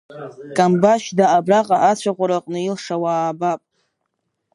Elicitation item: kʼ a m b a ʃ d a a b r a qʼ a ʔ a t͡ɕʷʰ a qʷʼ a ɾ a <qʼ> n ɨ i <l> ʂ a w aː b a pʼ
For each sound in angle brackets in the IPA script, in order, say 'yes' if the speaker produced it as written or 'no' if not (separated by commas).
yes, yes